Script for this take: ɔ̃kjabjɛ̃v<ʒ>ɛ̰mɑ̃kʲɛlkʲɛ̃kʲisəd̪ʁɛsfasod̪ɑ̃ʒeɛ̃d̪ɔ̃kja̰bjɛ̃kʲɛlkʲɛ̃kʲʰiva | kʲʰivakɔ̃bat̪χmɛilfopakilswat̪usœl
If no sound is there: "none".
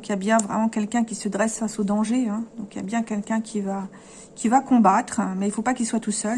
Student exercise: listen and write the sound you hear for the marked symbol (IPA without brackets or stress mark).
ʁ